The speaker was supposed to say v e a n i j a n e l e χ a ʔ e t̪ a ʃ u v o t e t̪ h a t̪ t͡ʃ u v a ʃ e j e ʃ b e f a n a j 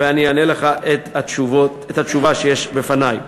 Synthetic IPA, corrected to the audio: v e a n i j a n e l e χ a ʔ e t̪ a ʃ u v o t e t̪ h a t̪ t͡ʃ u v a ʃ e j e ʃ b e f a n a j